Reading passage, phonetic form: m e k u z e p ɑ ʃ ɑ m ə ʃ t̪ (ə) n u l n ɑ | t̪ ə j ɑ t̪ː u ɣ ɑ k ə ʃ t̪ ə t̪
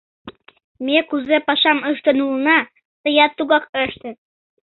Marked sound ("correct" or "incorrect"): correct